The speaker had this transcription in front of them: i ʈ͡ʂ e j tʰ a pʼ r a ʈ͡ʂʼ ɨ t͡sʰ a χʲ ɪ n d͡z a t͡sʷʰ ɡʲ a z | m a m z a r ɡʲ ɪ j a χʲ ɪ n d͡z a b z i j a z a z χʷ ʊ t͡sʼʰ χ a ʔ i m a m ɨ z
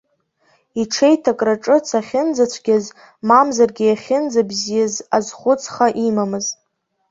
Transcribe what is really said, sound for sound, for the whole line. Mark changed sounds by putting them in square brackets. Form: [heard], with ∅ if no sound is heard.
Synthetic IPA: i [ʈ͡ʂʰ] e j tʰ a [kʼ] r a ʈ͡ʂʼ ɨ t͡sʰ a χʲ ɪ n d͡z a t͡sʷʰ ɡʲ a z | m a m z a r ɡʲ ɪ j a χʲ ɪ n d͡z a b z i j a z a z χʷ ʊ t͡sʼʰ χ a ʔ i m a m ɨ z